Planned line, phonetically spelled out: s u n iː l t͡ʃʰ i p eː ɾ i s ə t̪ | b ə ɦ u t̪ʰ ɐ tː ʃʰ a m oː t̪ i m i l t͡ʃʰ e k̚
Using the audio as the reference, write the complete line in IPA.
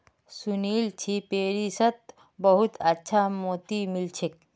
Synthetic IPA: s u n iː l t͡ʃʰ i p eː ɾ i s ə t̪ | b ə ɦ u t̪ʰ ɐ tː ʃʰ a m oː t̪ i m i l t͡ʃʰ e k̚